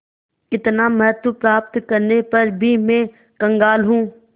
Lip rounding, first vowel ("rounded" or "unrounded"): unrounded